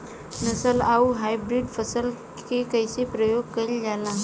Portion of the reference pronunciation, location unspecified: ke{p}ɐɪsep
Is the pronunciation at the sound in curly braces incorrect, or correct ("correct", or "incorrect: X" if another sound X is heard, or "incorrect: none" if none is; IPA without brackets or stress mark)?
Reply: incorrect: k